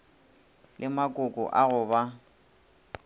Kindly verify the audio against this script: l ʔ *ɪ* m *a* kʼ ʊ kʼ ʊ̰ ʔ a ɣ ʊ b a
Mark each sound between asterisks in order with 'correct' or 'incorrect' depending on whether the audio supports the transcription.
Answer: correct, correct

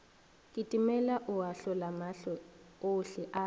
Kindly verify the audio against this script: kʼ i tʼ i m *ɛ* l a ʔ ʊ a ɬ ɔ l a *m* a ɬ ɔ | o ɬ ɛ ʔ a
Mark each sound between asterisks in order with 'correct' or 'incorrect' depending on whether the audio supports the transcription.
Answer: correct, correct

